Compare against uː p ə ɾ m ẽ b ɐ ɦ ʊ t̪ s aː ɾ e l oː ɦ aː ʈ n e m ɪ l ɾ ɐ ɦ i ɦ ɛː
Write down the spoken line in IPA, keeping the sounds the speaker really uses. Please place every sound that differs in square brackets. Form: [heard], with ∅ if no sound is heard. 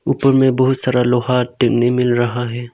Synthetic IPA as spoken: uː p ə ɾ m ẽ b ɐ ɦ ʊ t̪ s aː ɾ [a] l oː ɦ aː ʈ n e m ɪ l ɾ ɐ ɦ [a] ɦ ɛː